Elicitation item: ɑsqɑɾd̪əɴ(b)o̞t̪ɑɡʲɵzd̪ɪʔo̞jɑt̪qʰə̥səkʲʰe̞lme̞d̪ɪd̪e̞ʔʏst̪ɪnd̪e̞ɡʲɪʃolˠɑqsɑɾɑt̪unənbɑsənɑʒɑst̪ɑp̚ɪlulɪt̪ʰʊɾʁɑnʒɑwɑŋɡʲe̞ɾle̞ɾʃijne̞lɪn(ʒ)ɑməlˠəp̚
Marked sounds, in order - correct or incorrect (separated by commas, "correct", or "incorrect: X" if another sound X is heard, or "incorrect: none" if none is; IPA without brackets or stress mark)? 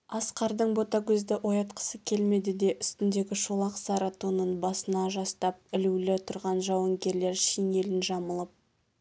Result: correct, correct